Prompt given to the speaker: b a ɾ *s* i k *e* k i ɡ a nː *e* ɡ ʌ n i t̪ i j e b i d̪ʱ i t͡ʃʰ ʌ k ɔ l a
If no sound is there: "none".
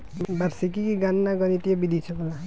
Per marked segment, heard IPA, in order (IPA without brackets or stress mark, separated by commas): s, i, a